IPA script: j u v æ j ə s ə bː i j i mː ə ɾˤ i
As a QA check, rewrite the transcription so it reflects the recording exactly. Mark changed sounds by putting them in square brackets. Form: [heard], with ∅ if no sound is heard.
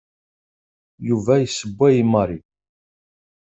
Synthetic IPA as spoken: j u v æ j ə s ə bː [æ] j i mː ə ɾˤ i